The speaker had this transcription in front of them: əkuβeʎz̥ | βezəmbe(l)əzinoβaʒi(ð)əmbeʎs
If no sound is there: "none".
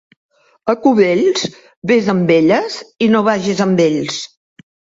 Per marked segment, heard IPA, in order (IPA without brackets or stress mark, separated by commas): ʎ, z